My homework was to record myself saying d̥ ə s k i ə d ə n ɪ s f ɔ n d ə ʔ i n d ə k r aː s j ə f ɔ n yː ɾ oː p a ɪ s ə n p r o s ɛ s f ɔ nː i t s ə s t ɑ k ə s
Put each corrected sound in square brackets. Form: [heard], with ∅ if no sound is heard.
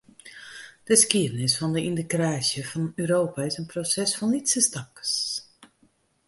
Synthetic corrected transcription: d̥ ə s k i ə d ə n ɪ s f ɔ n d ə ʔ i n d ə k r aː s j ə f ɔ n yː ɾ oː p a ɪ s ə n p r o s ɛ s f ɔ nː i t s ə s t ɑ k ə s